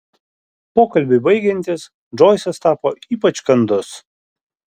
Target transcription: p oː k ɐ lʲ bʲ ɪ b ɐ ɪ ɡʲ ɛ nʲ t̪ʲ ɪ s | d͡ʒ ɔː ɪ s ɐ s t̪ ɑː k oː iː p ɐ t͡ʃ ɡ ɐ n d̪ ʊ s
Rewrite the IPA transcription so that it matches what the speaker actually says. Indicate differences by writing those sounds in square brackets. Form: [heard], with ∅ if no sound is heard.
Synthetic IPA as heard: p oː k ɐ lʲ bʲ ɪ b ɐ ɪ ɡʲ ɛ nʲ t̪ʲ ɪ s | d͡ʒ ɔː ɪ s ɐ s t̪ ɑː [p] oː iː p ɐ t͡ʃ [k] ɐ n d̪ ʊ s